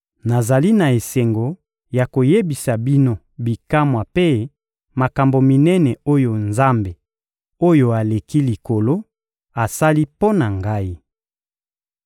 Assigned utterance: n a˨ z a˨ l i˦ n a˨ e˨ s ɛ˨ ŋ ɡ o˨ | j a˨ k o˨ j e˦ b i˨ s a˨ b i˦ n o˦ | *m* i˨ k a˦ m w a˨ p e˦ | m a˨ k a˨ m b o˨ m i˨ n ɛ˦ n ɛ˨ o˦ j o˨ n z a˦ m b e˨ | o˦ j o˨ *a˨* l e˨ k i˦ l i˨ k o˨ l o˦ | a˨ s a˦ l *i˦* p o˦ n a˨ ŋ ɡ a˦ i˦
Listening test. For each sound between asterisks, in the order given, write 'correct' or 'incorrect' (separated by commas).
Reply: incorrect, correct, correct